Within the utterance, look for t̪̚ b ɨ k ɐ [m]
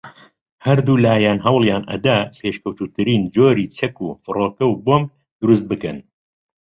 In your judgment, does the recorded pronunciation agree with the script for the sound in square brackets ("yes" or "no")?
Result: no